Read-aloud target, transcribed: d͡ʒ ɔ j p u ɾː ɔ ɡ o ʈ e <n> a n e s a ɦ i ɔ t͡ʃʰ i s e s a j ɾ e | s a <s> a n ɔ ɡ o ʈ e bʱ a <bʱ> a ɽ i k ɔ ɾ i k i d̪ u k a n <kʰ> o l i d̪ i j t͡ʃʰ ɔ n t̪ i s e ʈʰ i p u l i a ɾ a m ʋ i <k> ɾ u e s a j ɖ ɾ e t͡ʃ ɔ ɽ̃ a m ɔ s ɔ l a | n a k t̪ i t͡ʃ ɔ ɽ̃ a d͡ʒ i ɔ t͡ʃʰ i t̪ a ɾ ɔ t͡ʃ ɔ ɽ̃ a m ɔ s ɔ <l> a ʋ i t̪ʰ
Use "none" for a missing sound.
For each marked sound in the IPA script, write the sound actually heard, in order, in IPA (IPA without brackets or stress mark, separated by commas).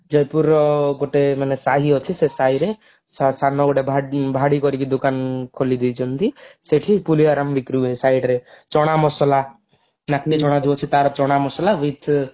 m, s, bʱ, kʰ, k, l